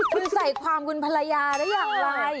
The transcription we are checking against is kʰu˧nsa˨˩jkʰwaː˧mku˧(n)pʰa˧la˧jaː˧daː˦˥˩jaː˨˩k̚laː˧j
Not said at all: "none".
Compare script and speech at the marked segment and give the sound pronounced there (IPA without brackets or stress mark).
n